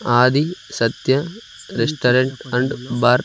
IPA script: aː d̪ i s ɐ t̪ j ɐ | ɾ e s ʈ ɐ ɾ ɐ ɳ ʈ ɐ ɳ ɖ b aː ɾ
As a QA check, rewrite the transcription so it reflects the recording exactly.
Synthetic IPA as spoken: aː d̪ i s ɐ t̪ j ɐ | ɾ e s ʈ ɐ ɾ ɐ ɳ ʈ ɐ ɳ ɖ b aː ɾ